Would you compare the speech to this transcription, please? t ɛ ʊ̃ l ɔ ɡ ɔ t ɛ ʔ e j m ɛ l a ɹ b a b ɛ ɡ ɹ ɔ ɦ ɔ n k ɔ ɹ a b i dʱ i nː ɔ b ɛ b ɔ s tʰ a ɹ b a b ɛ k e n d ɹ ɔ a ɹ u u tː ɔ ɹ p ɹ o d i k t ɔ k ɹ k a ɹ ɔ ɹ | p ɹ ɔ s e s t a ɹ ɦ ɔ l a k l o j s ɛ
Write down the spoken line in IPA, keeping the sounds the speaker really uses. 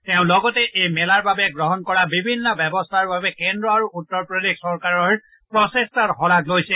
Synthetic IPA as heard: t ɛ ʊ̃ l ɔ ɡ ɔ t ɛ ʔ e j m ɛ l a ɹ b a b ɛ ɡ ɹ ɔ ɦ ɔ n k ɔ ɹ a b i bʱ i nː ɔ b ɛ b ɔ s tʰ a ɹ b a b ɛ k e n d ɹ ɔ a ɹ u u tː ɔ ɹ p ɹ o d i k s ɔ ɹ k a ɹ ɔ ɹ | p ɹ ɔ s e s t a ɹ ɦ ɔ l a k l o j s ɛ